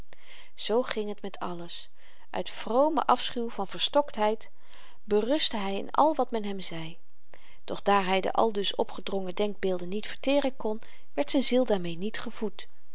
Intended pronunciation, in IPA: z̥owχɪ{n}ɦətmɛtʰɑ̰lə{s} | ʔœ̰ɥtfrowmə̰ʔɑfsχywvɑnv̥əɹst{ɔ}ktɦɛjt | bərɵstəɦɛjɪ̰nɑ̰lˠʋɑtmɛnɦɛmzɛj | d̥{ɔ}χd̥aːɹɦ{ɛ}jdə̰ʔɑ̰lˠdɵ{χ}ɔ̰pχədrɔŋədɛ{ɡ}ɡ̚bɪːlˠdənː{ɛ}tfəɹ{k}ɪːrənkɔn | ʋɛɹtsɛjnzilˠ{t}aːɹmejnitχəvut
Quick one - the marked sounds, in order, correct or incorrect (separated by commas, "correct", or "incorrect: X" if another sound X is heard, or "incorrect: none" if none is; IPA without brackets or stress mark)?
incorrect: ŋ, correct, correct, correct, correct, incorrect: s, incorrect: ŋ, incorrect: i, incorrect: t, incorrect: d